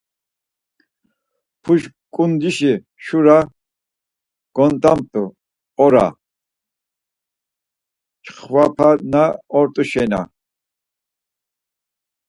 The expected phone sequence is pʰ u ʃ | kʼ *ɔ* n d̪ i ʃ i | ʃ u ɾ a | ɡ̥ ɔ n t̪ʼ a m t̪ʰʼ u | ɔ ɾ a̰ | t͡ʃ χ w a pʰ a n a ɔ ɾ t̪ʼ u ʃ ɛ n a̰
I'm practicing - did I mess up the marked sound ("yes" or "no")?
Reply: yes